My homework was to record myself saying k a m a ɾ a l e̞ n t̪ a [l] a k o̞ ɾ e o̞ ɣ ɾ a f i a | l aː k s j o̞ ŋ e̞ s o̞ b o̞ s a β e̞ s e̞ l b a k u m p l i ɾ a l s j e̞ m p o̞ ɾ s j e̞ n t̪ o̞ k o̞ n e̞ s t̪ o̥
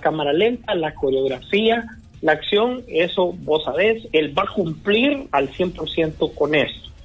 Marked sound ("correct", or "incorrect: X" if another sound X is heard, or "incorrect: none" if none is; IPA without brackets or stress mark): correct